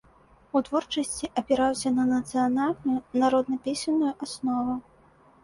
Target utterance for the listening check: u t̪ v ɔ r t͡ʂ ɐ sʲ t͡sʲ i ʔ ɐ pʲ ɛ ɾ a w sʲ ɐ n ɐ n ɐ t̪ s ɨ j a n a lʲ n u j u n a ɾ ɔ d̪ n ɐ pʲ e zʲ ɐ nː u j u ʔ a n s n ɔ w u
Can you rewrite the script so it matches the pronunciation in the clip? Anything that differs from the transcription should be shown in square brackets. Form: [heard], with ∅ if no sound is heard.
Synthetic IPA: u t̪ v ɔ r t͡ʂ ɐ sʲ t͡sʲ i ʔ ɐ pʲ ɛ ɾ a w sʲ ɐ n ɐ n ɐ t̪ s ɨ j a n a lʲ n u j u n a ɾ ɔ d̪ n ɐ pʲ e [sʲ] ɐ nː u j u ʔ a [∅] s n ɔ [v] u